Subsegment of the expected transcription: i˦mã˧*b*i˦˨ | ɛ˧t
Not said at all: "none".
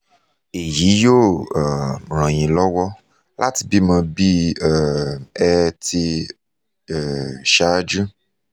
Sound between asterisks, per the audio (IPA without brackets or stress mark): b